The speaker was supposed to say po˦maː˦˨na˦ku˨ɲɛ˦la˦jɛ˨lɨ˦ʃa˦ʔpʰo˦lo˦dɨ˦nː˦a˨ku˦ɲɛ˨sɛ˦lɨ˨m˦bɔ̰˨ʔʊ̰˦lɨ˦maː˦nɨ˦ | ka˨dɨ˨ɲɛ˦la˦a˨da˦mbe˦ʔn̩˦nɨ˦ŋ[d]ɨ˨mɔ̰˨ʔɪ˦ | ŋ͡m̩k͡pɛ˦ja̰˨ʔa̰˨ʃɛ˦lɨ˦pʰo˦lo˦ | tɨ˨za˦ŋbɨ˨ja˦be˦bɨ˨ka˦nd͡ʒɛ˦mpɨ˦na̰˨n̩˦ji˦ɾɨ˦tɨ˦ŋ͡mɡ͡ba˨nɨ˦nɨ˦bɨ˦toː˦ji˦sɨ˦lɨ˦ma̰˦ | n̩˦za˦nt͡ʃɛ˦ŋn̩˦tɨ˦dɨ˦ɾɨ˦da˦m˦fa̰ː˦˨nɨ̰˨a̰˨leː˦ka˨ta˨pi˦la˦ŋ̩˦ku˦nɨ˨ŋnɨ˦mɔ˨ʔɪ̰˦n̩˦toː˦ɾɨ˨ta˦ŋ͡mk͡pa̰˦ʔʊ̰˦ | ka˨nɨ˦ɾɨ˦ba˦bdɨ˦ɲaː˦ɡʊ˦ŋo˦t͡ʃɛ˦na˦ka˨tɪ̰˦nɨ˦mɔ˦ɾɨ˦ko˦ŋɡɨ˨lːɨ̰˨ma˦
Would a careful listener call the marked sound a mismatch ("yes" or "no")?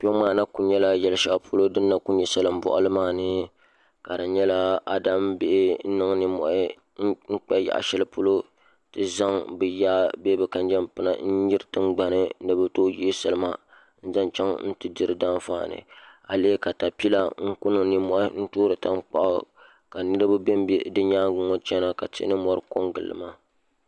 yes